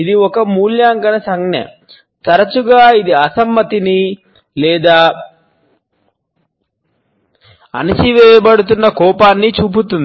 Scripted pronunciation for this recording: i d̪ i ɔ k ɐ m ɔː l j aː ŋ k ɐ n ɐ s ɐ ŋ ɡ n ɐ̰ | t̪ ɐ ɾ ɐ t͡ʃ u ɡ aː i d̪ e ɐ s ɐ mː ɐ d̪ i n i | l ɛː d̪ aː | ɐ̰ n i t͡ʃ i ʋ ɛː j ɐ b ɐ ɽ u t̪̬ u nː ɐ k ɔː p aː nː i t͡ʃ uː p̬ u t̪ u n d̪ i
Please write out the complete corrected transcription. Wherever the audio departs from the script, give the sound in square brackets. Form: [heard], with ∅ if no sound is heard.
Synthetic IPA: i d̪ i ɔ k ɐ m [uː] l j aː ŋ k ɐ n ɐ s ɐ ŋ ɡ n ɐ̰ | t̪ ɐ ɾ ɐ t͡ʃ u ɡ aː i d̪ [i] ɐ s ɐ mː ɐ [t̪] i n i | l ɛː d̪ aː | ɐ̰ n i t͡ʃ i ʋ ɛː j ɐ b ɐ ɽ u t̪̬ u nː ɐ k ɔː p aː nː i t͡ʃ uː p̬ u t̪ u n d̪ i

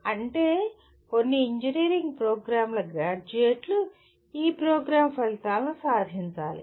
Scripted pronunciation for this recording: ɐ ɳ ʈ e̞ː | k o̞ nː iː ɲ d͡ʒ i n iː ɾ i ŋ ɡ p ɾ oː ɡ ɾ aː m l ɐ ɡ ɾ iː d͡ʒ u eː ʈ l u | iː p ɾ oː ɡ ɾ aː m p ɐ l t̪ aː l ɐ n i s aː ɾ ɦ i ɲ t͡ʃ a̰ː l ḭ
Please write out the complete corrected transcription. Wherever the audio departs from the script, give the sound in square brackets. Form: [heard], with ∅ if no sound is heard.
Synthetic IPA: ɐ ɳ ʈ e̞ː | k o̞ nː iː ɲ d͡ʒ i n iː ɾ i ŋ ɡ p ɾ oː ɡ ɾ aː m l ɐ ɡ ɾ [aː] d͡ʒ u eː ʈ l u | iː p ɾ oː ɡ ɾ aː m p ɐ l t̪ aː l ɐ n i s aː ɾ ɦ i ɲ t͡ʃ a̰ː l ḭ

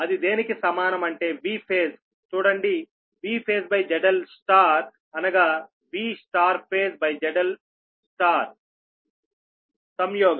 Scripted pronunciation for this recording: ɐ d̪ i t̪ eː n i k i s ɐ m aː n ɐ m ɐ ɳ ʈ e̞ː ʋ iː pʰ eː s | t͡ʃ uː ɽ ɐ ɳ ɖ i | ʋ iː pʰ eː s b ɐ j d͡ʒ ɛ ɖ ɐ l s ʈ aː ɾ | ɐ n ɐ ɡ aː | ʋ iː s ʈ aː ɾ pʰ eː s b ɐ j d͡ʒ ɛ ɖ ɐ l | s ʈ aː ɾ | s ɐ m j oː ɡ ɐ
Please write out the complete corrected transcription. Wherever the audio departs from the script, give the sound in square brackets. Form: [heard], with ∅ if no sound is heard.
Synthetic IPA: ɐ d̪ i [d̪] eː n i k i s ɐ m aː n ɐ m ɐ ɳ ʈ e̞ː ʋ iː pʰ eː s | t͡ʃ uː ɽ ɐ ɳ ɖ i | ʋ iː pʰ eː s b ɐ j d͡ʒ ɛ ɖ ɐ l s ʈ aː ɾ | ɐ n ɐ ɡ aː | ʋ iː s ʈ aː ɾ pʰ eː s b ɐ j d͡ʒ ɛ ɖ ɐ l | s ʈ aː ɾ | s ɐ m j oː ɡ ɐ

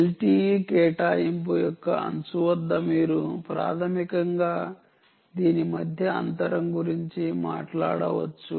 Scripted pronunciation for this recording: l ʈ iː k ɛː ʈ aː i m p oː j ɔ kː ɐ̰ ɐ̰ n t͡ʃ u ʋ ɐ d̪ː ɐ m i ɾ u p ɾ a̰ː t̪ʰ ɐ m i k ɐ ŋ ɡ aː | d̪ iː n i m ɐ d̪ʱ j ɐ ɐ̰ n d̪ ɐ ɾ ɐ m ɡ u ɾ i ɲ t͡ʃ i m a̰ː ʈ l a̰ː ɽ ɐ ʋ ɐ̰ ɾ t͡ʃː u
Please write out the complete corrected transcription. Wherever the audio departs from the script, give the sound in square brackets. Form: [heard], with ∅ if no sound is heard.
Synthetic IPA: l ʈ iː k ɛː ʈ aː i m p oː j ɔ kː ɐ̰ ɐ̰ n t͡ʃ u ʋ ɐ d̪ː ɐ m [iː] ɾ u p ɾ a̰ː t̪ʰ ɐ m i k ɐ ŋ ɡ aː | d̪ iː n i m ɐ d̪ʱ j ɐ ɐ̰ n [t̪] ɐ ɾ ɐ m ɡ u ɾ i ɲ t͡ʃ i m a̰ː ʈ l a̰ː ɽ ɐ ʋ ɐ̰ [∅] t͡ʃː u

